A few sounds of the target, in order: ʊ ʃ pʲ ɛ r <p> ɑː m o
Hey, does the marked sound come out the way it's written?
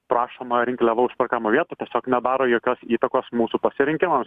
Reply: no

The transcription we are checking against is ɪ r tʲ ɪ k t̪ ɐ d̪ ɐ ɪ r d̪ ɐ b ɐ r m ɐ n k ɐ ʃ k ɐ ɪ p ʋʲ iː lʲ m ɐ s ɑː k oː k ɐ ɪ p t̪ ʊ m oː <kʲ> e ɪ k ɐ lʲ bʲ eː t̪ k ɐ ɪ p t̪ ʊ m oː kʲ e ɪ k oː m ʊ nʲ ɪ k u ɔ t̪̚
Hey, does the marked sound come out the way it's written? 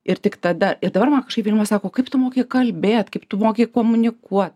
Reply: yes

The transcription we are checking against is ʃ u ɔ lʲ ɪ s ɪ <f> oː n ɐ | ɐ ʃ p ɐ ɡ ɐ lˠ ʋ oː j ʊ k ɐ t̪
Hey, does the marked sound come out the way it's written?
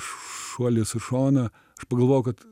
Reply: no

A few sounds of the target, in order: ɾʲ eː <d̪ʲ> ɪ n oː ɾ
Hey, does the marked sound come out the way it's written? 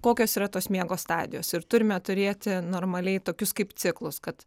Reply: no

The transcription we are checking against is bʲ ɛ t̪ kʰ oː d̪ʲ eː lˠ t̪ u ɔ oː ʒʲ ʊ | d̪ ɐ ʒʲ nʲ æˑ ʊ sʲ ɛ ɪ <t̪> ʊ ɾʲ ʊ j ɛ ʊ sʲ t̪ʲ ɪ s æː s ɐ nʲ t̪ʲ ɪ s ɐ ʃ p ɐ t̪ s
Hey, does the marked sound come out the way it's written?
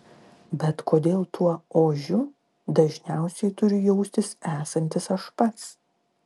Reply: yes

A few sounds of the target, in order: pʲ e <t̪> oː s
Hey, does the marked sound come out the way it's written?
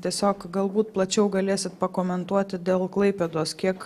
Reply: no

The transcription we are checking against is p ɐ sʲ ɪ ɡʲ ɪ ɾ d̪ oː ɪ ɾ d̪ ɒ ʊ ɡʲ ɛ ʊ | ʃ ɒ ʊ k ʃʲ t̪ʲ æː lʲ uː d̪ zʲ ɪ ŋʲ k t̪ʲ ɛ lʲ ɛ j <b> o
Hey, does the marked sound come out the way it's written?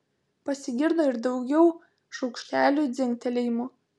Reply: no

